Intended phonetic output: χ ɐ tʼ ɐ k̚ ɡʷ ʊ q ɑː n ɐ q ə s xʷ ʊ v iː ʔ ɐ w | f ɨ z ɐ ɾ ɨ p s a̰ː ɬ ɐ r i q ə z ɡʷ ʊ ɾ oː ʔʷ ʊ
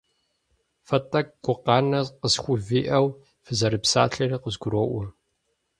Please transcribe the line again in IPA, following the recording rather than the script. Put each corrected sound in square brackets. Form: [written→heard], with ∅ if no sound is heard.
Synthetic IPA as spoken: [χ→f] ɐ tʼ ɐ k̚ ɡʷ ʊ q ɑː n ɐ q ə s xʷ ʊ v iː ʔ ɐ w | f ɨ z ɐ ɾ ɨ p s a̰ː ɬ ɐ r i q ə z ɡʷ ʊ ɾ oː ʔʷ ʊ